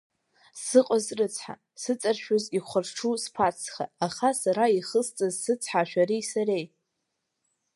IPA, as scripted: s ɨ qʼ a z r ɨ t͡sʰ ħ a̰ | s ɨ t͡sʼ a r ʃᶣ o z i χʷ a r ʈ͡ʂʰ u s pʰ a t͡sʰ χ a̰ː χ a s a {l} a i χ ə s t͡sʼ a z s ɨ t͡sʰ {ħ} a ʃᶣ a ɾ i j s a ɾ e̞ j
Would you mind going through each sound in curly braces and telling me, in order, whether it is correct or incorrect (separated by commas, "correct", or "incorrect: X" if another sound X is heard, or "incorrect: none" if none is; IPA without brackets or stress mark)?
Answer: incorrect: ɾ, correct